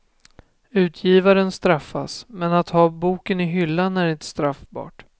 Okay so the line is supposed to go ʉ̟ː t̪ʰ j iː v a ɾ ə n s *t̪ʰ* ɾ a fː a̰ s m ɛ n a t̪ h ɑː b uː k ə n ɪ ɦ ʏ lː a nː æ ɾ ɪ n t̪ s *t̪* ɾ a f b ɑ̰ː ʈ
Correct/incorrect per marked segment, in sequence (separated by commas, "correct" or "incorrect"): incorrect, correct